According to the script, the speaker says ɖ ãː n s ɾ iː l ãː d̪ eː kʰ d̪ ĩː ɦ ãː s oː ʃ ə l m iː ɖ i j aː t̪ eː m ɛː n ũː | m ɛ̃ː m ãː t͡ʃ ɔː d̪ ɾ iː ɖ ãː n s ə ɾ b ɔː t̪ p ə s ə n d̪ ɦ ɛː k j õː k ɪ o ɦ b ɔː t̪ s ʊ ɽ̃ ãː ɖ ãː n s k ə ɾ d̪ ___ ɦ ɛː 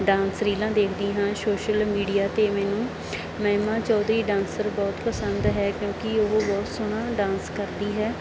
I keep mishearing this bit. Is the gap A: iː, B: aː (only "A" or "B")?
A